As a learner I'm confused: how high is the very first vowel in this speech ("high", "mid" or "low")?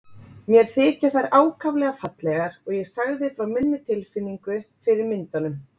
mid